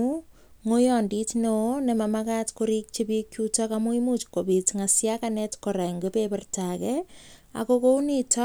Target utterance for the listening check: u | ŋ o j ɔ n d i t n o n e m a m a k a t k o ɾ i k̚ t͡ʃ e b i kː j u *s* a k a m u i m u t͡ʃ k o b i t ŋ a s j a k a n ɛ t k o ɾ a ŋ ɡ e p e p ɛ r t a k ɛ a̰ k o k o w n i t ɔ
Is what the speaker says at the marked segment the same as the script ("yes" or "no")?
no